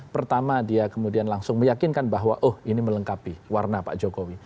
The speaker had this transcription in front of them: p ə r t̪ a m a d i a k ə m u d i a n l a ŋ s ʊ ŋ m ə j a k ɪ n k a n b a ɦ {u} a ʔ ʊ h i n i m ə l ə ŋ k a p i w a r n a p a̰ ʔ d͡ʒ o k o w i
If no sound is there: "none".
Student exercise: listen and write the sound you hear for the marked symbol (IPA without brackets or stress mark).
w